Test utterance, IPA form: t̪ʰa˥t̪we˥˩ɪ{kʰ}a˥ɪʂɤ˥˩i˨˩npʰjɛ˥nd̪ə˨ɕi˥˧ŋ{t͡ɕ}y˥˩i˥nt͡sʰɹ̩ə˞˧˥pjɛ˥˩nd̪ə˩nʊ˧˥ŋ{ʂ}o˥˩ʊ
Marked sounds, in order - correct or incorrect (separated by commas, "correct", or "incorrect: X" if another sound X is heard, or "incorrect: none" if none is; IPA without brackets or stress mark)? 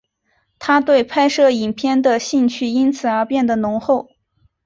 incorrect: pʰ, incorrect: t͡ɕʰ, incorrect: x